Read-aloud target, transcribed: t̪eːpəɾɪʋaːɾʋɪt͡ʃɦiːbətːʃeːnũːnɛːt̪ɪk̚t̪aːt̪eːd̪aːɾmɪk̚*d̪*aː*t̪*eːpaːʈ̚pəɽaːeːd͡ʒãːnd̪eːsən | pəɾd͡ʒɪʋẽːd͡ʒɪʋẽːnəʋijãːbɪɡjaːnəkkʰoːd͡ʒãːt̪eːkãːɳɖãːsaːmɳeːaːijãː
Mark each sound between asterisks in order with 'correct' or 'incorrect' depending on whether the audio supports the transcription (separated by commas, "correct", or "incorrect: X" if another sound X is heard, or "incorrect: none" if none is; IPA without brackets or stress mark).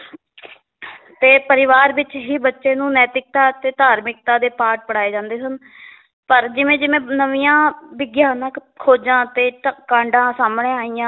incorrect: t̪, incorrect: d̪